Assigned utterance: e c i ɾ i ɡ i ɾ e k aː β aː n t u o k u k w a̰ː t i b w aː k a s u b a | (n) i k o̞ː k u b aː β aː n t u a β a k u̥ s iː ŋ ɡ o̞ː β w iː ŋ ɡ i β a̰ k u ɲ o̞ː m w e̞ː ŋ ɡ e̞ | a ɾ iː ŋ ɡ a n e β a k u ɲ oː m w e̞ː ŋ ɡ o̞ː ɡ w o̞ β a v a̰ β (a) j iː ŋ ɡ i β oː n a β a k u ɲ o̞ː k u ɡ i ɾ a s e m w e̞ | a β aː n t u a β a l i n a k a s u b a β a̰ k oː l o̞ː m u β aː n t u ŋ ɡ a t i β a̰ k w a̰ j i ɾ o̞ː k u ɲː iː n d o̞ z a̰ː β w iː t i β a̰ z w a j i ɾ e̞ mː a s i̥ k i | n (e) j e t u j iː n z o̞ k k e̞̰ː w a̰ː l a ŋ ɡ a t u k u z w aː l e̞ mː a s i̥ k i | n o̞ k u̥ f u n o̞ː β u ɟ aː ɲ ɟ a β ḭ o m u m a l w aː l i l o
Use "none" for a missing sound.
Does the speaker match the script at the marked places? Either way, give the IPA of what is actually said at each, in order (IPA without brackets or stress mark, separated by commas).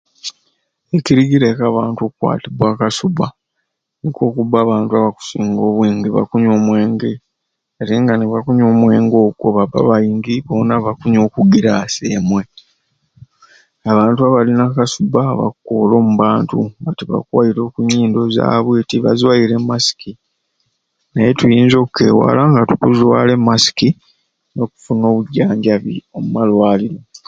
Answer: n, a, a